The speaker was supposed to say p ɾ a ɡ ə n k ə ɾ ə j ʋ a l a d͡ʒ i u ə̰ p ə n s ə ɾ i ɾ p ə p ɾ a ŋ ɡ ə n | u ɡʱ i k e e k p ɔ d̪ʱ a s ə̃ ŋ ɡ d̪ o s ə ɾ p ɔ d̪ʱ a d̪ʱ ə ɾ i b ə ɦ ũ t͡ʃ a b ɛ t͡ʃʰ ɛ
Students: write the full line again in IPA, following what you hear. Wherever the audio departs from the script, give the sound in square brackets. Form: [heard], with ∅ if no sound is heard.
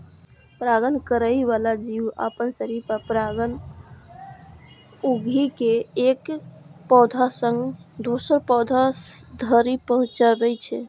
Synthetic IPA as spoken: p ɾ a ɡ ə n k ə ɾ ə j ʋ a l a d͡ʒ i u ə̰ p ə n s ə ɾ i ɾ p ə p ɾ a [∅] ɡ ə n | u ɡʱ i k e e k p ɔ d̪ʱ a s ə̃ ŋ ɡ d̪ o s ə ɾ p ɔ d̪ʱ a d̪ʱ ə ɾ i [p] ə ɦ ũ t͡ʃ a b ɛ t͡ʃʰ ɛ